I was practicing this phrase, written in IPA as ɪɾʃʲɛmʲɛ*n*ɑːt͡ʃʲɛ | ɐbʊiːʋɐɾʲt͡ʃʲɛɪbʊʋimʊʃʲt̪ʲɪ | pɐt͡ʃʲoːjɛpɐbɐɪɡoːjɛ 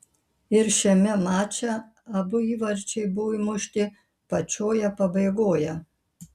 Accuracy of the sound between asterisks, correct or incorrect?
incorrect